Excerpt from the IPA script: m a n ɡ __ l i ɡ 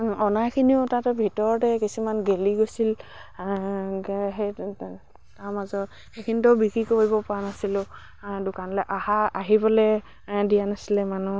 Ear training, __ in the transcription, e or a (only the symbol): e